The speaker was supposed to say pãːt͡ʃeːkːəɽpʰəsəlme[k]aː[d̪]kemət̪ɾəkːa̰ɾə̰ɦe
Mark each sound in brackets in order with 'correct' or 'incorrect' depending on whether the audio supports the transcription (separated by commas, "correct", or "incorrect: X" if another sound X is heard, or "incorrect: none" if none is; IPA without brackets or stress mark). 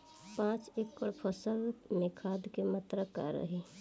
incorrect: kʰ, correct